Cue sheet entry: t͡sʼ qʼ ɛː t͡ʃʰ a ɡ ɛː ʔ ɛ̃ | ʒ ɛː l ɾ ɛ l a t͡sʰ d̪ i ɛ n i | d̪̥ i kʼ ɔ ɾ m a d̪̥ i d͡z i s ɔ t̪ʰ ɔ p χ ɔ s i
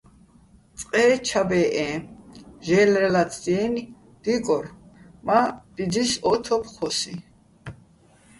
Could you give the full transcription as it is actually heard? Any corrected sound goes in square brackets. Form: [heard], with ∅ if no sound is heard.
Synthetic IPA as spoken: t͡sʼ qʼ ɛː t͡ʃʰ a [b] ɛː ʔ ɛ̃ | ʒ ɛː l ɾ ɛ l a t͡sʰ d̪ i ɛ n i | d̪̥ i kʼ ɔ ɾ m a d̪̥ i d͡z i s ɔ t̪ʰ ɔ p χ ɔ s i